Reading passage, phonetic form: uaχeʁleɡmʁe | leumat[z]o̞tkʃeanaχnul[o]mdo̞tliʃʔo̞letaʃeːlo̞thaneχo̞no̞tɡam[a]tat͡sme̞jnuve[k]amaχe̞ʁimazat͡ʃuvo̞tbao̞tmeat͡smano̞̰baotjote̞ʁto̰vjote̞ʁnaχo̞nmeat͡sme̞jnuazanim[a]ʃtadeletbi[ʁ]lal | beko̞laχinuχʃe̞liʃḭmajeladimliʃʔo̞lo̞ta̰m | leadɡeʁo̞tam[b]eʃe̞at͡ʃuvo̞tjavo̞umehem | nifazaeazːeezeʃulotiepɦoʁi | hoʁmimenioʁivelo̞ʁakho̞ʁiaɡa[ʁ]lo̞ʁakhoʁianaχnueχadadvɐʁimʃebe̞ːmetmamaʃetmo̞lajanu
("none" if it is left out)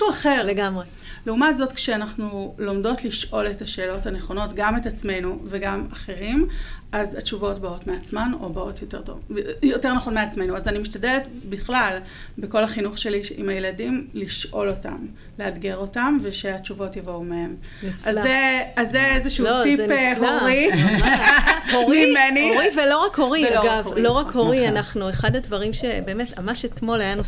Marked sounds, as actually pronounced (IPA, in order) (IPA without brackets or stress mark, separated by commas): z, o, e, ɡ, i, χ, v, v